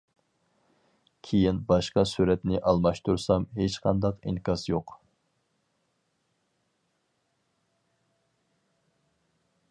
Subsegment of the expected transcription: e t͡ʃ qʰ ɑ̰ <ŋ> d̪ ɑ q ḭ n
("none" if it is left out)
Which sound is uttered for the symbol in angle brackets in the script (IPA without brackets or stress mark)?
n